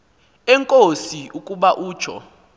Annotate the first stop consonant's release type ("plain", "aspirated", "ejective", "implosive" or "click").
ejective